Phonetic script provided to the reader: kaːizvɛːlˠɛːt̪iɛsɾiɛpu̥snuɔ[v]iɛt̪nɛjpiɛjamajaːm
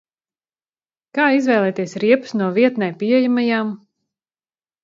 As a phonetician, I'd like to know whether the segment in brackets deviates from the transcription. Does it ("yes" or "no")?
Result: no